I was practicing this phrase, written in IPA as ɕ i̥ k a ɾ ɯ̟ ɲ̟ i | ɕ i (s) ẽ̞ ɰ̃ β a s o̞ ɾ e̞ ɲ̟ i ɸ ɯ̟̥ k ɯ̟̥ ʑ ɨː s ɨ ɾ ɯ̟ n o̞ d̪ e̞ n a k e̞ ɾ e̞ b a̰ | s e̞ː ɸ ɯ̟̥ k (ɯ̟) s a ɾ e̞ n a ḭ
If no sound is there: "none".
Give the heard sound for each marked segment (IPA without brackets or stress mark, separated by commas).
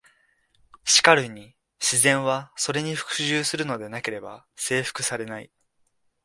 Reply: z, ɯ̟